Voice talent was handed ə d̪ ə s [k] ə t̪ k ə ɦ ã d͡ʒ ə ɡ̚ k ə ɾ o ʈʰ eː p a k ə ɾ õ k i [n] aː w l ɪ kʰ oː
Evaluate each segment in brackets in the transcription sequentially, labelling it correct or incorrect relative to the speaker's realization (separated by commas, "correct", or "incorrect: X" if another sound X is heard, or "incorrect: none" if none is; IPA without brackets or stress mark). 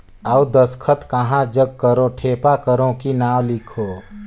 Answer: incorrect: kʰ, correct